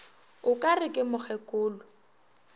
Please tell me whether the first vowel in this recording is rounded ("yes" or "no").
yes